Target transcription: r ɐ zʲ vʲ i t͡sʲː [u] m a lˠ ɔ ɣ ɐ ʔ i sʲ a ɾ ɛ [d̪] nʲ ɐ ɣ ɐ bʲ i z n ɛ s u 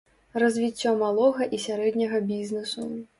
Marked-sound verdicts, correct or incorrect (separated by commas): incorrect, correct